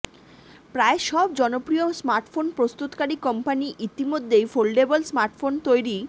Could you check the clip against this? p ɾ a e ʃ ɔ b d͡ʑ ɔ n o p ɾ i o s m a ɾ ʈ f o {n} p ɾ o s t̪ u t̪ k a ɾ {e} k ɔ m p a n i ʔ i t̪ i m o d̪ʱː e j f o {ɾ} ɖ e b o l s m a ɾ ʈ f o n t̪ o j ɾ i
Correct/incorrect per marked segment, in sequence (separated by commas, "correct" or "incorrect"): correct, incorrect, incorrect